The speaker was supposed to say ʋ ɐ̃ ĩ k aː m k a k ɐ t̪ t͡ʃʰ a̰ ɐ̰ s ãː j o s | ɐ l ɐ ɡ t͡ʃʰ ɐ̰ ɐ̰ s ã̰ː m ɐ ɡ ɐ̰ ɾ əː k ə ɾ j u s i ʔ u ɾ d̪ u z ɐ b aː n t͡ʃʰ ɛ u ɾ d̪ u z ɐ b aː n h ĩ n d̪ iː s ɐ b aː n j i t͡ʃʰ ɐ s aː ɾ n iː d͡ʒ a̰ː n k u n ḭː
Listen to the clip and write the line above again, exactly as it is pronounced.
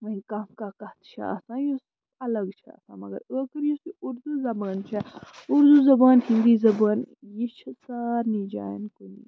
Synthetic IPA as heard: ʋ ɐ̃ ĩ k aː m k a k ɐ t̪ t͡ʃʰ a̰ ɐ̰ s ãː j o s | ɐ l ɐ ɡ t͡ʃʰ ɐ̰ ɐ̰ s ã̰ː m ɐ ɡ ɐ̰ ɾ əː k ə ɾ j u s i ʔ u ɾ d̪ u z ɐ b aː n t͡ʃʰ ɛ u ɾ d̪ u z ɐ b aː n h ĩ n d̪ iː z ɐ b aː n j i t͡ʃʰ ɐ s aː ɾ n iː d͡ʒ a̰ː n k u n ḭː